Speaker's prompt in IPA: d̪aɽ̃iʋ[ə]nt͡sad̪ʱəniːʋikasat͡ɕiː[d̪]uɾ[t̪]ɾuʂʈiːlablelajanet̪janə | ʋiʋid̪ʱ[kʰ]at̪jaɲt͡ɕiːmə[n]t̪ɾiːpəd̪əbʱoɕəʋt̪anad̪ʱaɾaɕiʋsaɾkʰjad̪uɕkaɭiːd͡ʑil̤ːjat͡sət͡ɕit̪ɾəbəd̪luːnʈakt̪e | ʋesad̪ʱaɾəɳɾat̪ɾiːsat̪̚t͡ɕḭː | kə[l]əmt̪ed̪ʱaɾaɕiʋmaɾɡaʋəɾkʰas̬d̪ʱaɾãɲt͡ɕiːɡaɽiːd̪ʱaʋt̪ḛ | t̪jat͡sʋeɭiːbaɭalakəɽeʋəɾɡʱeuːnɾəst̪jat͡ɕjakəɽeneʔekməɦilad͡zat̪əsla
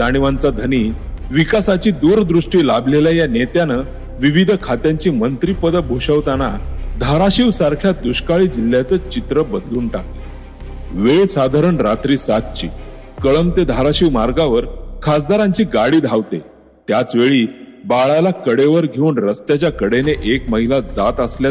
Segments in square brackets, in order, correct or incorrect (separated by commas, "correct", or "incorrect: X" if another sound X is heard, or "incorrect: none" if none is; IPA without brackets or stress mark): incorrect: a, correct, incorrect: d̪, correct, correct, incorrect: ɭ